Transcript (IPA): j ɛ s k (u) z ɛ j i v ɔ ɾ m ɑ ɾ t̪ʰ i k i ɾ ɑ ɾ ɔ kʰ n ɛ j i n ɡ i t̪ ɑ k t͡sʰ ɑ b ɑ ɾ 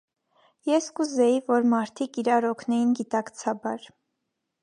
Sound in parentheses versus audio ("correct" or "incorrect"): correct